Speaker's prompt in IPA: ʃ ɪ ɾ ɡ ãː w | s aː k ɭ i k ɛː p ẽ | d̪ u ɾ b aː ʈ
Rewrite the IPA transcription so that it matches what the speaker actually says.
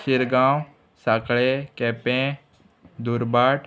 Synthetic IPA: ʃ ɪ ɾ ɡ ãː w | s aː k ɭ e k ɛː p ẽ | d̪ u ɾ b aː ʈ